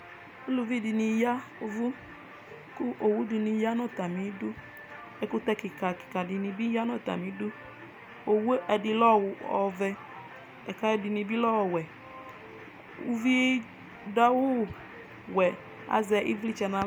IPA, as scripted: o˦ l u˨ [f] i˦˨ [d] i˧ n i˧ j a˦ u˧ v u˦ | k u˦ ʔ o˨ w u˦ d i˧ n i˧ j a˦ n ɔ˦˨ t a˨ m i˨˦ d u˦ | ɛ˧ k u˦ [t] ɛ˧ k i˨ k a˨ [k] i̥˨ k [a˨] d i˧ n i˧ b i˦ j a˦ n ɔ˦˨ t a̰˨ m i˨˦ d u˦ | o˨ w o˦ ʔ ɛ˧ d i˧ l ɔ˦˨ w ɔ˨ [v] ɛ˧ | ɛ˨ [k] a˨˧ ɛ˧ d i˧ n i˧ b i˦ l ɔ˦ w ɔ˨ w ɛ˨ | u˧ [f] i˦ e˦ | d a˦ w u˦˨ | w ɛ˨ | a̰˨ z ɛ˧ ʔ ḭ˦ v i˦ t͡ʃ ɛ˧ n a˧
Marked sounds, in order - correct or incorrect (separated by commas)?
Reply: incorrect, correct, correct, correct, correct, correct, correct, incorrect